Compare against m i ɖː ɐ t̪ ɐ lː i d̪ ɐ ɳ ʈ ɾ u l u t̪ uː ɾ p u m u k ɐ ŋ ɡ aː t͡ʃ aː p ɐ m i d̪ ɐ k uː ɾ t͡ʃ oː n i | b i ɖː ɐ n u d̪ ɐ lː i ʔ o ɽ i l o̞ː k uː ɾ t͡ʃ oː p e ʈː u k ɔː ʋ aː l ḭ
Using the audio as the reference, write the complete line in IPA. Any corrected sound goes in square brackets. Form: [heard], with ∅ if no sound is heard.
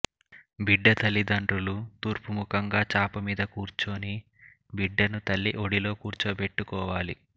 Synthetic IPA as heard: [b] i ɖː ɐ t̪ ɐ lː i d̪ ɐ ɳ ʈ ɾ u l u t̪ uː ɾ p u m u k ɐ ŋ ɡ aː t͡ʃ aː p ɐ m [iː] d̪ ɐ k uː ɾ t͡ʃ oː n i | b i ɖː ɐ n u [t̪] ɐ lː i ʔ o ɽ i l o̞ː k uː ɾ t͡ʃ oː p e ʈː u k ɔː ʋ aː l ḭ